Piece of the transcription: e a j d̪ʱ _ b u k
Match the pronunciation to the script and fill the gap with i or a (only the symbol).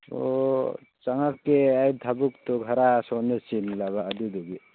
a